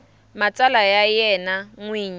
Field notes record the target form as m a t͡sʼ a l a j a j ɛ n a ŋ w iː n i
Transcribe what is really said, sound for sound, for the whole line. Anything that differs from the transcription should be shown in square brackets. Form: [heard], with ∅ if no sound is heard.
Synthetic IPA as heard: m a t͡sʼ a l a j a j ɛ n a ŋ w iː [ɲ] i